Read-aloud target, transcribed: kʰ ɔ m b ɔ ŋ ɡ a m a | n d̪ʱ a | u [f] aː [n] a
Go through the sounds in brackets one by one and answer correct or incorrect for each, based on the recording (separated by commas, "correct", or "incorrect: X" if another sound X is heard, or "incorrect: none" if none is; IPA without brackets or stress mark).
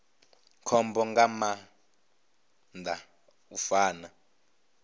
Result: correct, correct